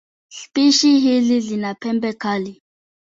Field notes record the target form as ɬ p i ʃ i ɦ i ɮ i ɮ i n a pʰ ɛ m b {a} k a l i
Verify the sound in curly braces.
incorrect: ɛ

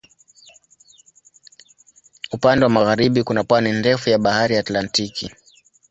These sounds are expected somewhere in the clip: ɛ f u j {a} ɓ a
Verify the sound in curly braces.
correct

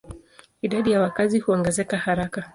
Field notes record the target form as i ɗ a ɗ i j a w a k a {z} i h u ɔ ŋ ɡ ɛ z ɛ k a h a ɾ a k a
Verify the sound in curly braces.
correct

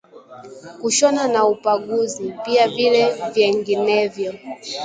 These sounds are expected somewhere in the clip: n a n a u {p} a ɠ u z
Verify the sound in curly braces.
correct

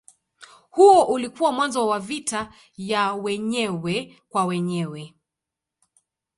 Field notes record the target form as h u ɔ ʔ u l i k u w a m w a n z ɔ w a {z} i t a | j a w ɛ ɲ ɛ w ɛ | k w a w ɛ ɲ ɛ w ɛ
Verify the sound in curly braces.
incorrect: v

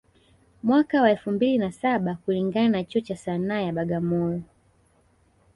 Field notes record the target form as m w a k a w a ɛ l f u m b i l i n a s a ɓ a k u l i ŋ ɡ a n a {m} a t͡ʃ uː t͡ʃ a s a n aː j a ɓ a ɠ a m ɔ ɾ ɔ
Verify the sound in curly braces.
incorrect: n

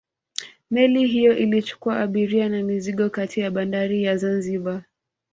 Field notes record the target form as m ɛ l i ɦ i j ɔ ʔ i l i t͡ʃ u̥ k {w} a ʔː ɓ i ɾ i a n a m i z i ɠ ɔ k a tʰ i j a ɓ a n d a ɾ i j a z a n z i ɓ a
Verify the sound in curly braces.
incorrect: u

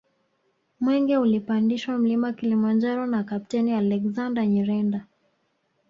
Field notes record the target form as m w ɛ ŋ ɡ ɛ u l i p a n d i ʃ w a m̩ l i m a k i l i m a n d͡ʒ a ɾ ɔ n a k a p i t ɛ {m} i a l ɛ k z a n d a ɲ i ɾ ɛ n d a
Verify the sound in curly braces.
incorrect: n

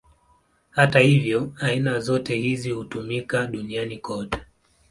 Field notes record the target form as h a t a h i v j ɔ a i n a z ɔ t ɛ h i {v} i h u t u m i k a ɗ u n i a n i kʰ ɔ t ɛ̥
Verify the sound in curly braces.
incorrect: z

